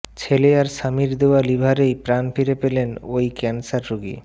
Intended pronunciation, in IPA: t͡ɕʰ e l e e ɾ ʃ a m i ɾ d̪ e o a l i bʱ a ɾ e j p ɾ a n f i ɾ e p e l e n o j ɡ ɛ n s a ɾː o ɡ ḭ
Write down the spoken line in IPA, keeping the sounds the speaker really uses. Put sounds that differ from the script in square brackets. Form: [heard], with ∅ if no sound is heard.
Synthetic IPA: t͡ɕʰ e l e [a] ɾ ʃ a m i ɾ d̪ e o a l i bʱ a ɾ e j p ɾ a n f i ɾ e p e l e n o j [k] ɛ n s a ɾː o ɡ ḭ